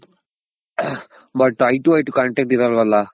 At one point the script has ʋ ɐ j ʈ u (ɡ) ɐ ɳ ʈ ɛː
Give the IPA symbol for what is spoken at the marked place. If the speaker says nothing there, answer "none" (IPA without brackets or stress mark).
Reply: k